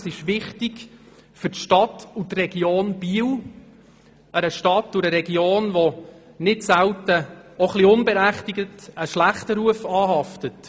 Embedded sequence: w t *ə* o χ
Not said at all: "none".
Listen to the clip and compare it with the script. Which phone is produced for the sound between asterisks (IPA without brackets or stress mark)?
ə